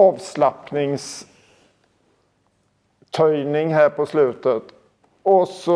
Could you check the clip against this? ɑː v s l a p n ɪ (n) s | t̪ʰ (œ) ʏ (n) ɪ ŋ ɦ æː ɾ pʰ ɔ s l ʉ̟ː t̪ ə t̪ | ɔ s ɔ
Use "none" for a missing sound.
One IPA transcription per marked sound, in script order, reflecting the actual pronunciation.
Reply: ŋ, œ, n

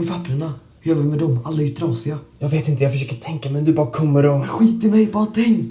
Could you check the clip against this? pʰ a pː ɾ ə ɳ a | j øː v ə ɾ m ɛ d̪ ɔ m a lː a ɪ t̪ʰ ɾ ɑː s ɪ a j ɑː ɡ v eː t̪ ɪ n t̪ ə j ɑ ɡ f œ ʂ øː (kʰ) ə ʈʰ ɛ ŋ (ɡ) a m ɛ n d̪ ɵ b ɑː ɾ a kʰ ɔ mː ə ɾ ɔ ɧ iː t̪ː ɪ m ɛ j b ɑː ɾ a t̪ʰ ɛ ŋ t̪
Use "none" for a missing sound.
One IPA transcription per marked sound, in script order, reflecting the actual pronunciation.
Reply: k, k

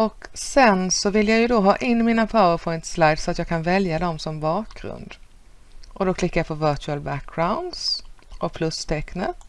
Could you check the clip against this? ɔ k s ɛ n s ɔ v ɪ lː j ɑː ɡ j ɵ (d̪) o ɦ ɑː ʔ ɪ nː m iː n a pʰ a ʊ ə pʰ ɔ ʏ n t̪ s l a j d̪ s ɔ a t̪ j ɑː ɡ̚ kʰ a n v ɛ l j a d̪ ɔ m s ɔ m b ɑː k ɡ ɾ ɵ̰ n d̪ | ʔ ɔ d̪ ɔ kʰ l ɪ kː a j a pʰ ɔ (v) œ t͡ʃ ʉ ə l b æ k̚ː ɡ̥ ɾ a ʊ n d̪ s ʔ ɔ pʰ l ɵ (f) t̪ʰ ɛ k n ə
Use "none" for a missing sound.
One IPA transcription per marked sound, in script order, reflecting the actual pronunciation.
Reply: d̪, v, s

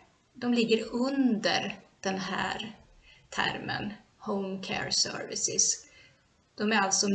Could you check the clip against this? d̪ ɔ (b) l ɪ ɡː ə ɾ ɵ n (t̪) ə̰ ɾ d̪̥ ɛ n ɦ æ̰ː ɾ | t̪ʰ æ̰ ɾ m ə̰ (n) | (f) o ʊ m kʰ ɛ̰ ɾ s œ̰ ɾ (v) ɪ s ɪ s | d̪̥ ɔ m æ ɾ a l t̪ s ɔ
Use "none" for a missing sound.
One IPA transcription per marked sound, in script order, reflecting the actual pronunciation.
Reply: m, d̪, n, h, v

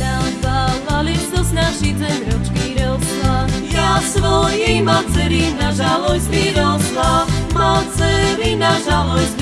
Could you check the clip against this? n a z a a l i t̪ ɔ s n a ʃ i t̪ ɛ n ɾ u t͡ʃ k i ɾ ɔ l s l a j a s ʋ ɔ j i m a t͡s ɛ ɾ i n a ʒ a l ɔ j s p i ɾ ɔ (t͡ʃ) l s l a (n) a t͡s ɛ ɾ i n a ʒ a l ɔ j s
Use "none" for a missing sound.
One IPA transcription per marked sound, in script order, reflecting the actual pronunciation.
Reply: none, m

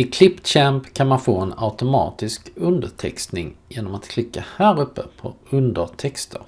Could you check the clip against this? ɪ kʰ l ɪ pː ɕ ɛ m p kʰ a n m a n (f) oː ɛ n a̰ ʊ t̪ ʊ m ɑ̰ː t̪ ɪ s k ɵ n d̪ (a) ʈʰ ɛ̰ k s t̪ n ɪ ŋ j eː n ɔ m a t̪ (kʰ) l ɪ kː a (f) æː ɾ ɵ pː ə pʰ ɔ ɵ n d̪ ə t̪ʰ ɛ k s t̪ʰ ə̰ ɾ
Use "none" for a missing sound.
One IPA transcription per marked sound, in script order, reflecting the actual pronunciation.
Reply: f, ə, kʰ, h

